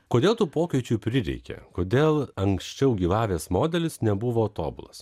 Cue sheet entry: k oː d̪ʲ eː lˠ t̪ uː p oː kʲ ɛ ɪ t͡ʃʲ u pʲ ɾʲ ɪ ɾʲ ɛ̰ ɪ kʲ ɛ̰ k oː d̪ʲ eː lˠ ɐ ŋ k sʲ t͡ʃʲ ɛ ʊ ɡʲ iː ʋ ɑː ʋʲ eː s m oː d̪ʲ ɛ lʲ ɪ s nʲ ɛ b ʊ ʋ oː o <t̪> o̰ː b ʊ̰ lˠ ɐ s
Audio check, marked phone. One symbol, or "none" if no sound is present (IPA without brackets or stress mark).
t̪